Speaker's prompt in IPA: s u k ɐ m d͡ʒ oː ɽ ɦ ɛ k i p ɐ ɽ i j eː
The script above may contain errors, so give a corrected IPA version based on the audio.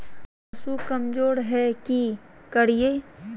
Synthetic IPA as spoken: s u k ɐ m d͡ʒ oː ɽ ɦ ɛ k i k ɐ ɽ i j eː

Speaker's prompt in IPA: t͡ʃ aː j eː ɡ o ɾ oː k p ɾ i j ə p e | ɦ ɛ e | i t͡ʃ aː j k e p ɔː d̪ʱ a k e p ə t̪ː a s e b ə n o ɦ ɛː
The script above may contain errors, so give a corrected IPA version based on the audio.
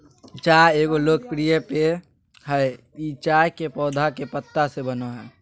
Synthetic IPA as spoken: t͡ʃ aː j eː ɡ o l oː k p ɾ i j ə p e | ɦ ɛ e | i t͡ʃ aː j k e p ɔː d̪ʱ a k e p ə t̪ː a s e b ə n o ɦ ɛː

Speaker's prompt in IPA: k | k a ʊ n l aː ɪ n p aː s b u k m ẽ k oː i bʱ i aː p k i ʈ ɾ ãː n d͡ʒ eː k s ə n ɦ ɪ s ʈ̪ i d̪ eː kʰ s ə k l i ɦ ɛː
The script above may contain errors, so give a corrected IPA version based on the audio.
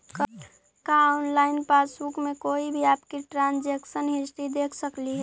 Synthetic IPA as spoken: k | k a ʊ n l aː ɪ n p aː s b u k m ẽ k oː i bʱ i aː p k i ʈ ɾ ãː n d͡ʒ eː k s ə n ɦ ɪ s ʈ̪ i d̪ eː kʰ s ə k l i ɦ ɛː

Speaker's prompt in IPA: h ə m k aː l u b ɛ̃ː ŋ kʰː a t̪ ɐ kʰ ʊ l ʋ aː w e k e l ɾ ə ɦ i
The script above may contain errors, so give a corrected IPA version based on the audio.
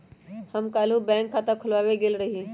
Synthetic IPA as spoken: h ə m k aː l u b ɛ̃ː ŋ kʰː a t̪ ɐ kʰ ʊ l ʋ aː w e ɡ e l ɾ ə ɦ i

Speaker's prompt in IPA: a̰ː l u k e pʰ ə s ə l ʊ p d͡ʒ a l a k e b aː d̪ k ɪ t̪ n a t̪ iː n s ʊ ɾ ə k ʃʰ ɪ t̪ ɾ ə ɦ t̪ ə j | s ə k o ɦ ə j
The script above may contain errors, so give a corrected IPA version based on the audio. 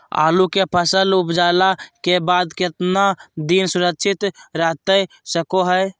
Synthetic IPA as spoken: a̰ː l u k e pʰ ə s ə l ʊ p d͡ʒ a l a k e b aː d̪ k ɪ t̪ n a d̪ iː n s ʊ ɾ ə k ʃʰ ɪ t̪ ɾ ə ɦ t̪ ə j | s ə k o ɦ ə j

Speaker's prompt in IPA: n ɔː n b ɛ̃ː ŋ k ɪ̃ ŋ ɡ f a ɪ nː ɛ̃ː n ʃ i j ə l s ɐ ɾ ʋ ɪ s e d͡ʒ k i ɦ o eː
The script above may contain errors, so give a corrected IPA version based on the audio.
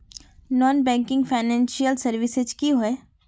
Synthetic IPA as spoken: n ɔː n b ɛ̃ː ŋ k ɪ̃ ŋ ɡ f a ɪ n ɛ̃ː n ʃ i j ə l s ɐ ɾ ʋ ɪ s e d͡ʒ k i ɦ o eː

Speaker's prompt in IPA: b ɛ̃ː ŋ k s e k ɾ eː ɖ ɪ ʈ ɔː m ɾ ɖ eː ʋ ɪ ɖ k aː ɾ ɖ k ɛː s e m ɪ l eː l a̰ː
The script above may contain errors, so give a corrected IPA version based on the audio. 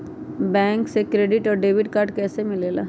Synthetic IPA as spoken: b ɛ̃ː ŋ k s e k ɾ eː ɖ ɪ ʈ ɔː ɾ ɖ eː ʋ ɪ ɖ k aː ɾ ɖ k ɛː s e m ɪ l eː l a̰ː

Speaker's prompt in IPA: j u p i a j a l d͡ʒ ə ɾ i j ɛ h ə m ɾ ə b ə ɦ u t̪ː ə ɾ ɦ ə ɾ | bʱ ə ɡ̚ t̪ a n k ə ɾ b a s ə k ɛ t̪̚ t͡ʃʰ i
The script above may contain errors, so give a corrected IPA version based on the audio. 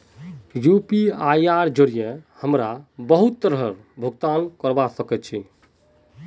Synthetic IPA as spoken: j u p i a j a ɾ d͡ʒ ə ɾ i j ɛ h ə m ɾ a b ə ɦ u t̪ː ə ɾ ɦ ə ɾ | bʱ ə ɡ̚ t̪ a n k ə ɾ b a s ə k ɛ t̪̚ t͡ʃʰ i

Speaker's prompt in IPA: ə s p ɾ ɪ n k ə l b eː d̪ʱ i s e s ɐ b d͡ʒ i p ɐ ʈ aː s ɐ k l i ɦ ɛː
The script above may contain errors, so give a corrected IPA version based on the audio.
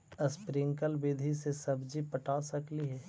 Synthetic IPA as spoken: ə s p ɾ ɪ ŋ k ə l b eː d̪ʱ i s e s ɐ b d͡ʒ i p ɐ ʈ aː s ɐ k l i ɦ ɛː

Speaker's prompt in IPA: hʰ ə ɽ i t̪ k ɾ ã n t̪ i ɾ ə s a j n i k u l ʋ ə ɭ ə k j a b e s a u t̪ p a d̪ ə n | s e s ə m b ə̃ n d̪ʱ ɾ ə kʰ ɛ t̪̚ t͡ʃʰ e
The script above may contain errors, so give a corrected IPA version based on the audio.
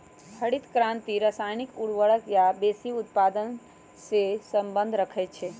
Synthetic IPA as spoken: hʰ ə ɽ i t̪ k ɾ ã n t̪ i ɾ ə s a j n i k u ɽ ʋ ə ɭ ə k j a b e s i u t̪ p a d̪ ə n | s e s ə m b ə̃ n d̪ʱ ɾ ə kʰ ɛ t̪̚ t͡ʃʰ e

